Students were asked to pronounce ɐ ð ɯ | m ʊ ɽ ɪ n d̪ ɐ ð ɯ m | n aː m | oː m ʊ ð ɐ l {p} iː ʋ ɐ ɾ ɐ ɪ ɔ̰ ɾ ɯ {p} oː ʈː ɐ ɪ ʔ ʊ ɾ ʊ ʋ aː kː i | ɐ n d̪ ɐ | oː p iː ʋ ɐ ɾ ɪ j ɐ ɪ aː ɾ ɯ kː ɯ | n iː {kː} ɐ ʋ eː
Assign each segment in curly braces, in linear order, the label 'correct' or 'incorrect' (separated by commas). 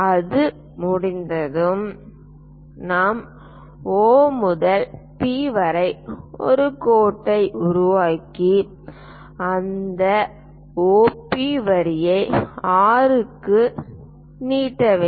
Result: correct, incorrect, incorrect